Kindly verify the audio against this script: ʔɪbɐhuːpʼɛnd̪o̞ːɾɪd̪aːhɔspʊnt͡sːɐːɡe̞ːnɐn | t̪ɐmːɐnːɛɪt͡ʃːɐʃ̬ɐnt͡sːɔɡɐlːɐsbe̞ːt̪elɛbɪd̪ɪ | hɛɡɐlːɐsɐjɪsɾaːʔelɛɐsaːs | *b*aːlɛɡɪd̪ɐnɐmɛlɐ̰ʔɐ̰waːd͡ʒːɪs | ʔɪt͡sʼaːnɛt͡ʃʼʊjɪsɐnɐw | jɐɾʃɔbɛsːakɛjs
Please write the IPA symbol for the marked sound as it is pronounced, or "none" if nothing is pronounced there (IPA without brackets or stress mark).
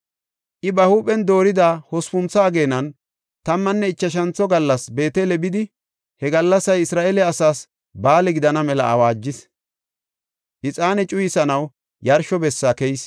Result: b